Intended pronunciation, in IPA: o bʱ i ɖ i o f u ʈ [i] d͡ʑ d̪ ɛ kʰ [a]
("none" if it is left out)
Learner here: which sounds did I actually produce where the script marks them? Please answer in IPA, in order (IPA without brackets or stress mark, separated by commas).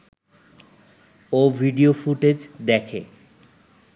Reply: e, e